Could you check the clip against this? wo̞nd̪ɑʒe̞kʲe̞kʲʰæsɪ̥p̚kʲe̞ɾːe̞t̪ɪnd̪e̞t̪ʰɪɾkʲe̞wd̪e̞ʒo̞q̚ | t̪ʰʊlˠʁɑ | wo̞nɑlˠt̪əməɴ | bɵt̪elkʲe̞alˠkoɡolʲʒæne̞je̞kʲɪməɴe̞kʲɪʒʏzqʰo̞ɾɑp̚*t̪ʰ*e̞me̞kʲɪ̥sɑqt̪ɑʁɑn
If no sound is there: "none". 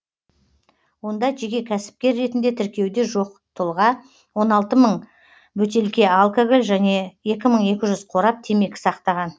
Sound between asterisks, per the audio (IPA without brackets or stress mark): t̪ʰ